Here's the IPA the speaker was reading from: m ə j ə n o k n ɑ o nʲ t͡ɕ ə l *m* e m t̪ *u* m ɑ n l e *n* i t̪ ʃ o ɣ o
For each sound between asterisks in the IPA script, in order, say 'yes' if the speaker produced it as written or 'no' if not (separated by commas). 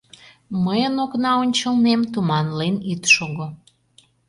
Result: no, yes, yes